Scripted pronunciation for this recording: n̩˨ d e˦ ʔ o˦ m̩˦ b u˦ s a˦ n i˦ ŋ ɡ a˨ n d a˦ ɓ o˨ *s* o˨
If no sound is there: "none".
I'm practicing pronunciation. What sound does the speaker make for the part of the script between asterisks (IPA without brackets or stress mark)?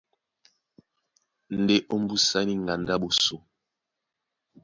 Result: s